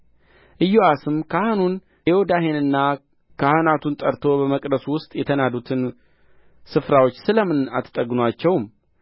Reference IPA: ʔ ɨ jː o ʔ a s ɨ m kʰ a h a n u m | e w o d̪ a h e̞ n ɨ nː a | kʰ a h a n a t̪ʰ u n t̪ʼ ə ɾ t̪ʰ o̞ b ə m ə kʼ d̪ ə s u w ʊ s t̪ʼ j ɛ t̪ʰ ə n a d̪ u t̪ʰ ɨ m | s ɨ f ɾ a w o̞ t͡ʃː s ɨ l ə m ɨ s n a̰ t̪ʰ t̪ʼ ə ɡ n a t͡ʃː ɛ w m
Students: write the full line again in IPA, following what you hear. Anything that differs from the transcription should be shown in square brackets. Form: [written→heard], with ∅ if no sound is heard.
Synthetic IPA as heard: ʔ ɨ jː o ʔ a s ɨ m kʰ a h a n u [m→n] | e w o d̪ a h e̞ n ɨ nː a | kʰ a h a n a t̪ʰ u n t̪ʼ ə ɾ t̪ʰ o̞ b ə m ə kʼ d̪ ə s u w ʊ s t̪ʼ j ɛ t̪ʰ ə n a d̪ u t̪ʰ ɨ [m→n] | s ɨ f ɾ a w o̞ t͡ʃː s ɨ l ə m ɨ [s→∅] n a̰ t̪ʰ t̪ʼ ə ɡ n a t͡ʃː ɛ w m